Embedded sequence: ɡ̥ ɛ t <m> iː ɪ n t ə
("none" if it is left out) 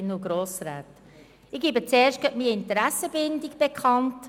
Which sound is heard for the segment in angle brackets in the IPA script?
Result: m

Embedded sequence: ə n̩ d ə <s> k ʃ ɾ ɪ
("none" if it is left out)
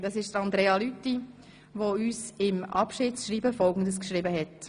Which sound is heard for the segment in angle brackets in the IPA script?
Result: s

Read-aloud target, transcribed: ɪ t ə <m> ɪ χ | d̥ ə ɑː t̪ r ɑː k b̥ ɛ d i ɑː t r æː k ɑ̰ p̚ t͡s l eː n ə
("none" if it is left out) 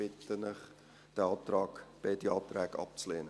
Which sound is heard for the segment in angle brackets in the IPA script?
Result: n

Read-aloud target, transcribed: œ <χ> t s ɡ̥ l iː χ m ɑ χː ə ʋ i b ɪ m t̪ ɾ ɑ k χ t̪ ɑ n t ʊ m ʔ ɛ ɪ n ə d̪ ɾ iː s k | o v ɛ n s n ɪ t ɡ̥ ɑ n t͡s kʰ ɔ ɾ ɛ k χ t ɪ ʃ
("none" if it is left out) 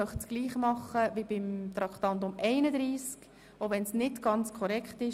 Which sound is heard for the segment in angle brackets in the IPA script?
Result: χ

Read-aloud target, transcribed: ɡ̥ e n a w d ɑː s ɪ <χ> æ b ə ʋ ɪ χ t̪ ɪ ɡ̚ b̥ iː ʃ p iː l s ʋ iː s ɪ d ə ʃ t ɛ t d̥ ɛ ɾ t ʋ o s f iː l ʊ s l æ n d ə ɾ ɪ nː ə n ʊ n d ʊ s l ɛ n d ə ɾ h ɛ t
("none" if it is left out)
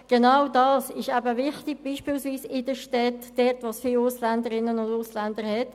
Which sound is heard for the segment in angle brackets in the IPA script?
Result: ʃ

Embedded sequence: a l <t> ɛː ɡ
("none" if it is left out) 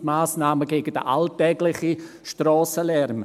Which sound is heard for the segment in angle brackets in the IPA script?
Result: t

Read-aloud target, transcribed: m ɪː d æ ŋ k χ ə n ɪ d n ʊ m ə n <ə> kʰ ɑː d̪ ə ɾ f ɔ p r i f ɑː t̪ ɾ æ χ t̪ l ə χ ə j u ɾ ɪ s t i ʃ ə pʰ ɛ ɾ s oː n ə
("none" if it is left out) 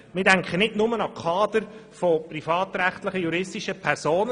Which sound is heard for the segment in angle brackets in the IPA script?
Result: ɑ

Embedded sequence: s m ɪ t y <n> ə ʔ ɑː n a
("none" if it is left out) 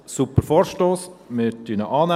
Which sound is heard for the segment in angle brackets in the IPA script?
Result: n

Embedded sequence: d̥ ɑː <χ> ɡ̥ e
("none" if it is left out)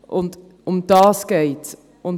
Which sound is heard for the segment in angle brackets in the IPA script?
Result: s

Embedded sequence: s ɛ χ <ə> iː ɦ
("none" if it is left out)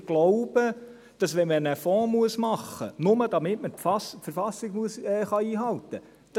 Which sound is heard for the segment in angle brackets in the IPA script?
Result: ɑ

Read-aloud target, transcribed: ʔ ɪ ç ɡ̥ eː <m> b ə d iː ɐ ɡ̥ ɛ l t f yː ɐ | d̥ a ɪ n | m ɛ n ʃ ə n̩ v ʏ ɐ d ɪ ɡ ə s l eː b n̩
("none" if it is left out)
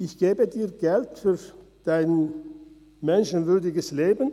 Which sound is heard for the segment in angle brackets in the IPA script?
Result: none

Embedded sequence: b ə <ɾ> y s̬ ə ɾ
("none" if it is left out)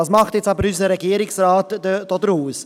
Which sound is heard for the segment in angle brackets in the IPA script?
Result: ɾ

